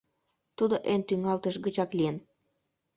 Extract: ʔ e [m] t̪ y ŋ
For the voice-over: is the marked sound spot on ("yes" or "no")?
no